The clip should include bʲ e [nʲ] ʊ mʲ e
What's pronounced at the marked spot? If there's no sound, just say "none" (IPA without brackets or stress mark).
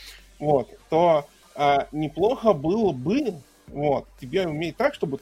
none